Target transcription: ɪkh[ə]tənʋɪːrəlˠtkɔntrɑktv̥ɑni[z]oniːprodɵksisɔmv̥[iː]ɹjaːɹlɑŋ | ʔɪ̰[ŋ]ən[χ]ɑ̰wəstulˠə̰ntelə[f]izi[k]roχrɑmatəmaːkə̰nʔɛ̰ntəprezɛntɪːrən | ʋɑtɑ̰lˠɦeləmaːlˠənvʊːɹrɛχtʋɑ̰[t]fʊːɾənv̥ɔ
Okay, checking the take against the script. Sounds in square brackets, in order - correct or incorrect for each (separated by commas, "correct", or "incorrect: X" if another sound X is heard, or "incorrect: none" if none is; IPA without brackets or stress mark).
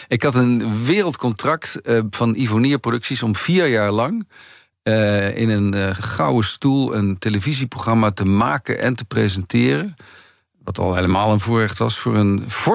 incorrect: ɑ, incorrect: v, correct, incorrect: n, correct, incorrect: v, incorrect: p, incorrect: s